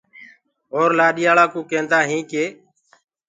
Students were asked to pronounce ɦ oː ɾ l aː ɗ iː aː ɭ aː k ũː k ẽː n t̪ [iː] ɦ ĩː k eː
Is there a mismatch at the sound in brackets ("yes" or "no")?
yes